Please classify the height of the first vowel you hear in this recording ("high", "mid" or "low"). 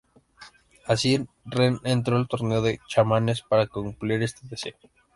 low